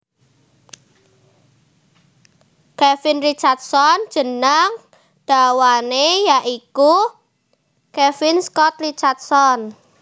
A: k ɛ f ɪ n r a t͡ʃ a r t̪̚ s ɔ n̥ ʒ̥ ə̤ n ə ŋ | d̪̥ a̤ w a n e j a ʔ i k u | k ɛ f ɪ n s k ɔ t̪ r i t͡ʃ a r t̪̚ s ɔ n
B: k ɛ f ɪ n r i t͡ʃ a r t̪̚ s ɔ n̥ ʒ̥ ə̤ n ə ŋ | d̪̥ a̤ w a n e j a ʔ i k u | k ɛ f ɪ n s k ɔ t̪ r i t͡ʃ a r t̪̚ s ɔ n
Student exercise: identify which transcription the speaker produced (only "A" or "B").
B